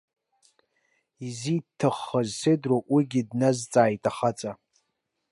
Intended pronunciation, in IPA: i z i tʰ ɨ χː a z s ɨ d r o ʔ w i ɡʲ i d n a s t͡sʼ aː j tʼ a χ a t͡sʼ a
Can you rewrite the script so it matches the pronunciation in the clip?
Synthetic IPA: i z i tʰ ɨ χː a z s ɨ d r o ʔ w i ɡʲ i d n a z t͡sʼ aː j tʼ a χ a t͡sʼ a